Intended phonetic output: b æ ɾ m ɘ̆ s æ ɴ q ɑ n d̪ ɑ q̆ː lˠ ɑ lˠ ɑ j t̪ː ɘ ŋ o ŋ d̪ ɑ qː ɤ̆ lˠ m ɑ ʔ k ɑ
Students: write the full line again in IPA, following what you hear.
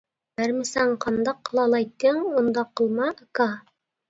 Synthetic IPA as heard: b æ ɾ m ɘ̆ s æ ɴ q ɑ n d̪ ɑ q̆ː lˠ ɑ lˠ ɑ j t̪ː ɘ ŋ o n d̪ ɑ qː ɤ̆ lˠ m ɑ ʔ k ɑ